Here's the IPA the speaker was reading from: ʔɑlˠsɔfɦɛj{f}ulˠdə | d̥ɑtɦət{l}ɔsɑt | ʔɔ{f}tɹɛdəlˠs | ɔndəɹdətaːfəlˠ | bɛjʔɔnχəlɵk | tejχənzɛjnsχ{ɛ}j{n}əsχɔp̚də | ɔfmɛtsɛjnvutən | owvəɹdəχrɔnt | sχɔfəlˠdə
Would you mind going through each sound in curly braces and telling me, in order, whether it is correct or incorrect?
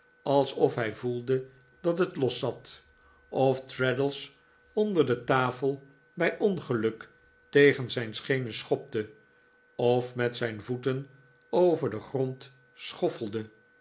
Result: incorrect: v, correct, correct, incorrect: e, correct

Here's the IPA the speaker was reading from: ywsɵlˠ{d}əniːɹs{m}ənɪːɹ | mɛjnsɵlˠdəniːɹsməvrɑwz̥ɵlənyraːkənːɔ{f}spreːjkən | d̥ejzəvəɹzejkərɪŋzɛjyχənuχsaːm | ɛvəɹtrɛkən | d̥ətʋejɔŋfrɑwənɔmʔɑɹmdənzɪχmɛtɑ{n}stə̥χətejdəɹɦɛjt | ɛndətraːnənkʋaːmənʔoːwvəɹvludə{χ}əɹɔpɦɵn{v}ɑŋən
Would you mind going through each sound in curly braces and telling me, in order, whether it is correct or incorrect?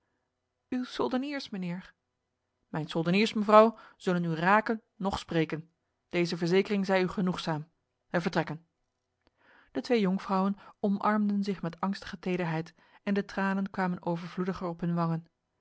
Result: correct, correct, incorrect: χ, incorrect: ŋ, correct, incorrect: ʋ

